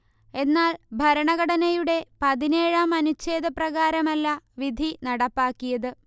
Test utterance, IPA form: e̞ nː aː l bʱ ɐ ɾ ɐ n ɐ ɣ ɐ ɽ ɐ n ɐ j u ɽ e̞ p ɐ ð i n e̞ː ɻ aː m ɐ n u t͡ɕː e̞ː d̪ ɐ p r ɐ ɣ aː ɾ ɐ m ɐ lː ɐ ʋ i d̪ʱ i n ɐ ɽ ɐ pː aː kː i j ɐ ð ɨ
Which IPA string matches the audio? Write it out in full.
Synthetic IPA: e̞ nː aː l bʱ ɐ ɾ ɐ ɳ ɐ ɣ ɐ ɽ ɐ n ɐ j u ɽ e̞ p ɐ ð i n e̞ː ɻ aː m ɐ n u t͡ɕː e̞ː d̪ ɐ p r ɐ ɣ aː ɾ ɐ m ɐ lː ɐ ʋ i d̪ʱ i n ɐ ɽ ɐ pː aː kː i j ɐ ð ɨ